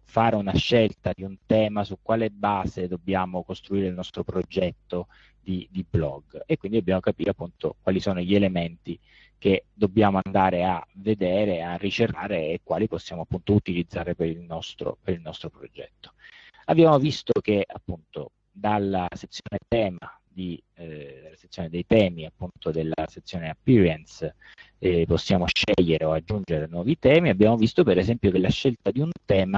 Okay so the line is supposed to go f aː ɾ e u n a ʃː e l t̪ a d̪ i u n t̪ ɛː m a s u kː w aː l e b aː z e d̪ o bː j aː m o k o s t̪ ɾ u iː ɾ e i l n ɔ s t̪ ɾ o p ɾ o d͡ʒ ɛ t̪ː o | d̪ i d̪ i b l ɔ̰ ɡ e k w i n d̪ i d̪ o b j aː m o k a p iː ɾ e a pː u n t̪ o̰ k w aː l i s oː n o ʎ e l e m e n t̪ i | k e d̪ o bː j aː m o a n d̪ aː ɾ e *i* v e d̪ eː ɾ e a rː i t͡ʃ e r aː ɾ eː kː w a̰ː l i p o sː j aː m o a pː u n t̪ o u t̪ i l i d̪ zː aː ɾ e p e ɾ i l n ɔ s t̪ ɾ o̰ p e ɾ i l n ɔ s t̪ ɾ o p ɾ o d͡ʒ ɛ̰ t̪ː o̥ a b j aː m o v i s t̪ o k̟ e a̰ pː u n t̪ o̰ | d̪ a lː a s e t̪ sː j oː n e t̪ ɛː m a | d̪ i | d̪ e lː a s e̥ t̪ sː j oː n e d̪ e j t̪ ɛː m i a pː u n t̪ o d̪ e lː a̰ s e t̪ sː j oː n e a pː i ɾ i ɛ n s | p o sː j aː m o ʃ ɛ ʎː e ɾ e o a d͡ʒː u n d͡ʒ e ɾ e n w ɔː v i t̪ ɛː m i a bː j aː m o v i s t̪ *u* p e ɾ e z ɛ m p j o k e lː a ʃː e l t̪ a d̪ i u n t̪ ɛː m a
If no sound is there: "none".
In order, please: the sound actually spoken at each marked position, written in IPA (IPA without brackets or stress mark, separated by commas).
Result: a, o